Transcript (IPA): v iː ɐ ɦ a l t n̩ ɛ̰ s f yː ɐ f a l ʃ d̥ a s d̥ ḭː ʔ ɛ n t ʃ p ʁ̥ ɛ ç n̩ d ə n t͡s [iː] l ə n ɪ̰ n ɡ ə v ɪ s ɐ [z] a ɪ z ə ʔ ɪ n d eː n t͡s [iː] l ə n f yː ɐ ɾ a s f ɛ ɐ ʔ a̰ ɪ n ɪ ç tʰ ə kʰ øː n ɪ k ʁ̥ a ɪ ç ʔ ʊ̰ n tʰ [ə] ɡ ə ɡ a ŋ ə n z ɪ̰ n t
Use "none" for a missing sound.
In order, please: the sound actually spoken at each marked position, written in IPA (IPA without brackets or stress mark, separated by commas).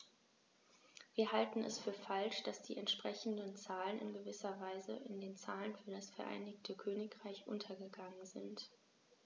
aː, v, aː, ɐ